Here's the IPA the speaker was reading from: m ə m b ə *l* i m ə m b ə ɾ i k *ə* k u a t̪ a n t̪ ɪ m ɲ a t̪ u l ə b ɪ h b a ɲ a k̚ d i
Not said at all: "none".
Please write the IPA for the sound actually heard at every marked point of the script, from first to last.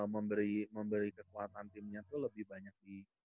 ɾ, ə

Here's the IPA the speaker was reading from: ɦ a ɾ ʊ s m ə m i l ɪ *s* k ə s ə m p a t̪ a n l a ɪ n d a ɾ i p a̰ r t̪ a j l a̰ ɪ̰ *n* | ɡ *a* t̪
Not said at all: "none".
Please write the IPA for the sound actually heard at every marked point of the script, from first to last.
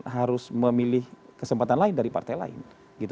h, n, i

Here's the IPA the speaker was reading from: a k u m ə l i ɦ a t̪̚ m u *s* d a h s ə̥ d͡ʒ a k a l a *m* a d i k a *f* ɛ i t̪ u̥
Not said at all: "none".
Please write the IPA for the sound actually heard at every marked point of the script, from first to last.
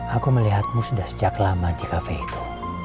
s, m, f

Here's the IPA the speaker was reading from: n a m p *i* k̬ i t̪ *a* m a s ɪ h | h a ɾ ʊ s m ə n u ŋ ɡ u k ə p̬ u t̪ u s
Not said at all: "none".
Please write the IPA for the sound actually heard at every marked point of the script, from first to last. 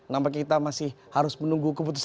a, a

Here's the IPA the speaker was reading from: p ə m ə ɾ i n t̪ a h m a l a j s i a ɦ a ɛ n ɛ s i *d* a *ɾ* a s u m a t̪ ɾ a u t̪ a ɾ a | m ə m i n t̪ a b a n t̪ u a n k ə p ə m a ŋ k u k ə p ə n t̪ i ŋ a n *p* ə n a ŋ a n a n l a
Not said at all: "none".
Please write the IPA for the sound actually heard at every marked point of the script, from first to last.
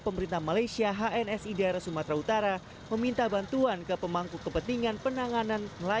d, ɾ, p

